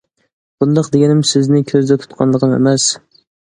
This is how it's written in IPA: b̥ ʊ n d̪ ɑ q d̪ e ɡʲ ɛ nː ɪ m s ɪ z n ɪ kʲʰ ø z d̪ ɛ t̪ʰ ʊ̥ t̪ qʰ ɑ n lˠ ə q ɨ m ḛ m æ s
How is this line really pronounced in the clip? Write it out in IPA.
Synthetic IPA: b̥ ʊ n d̪ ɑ q d̪ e ɡʲ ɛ n ɪ m s ɪ z n ɪ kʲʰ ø z d̪ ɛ t̪ʰ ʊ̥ t̪ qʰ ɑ n lˠ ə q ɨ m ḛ m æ s